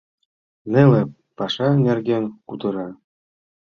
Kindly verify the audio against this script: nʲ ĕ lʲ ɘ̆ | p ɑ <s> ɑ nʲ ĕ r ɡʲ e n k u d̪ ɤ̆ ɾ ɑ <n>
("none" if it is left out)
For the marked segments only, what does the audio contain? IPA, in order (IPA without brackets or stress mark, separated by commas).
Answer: ʂ, none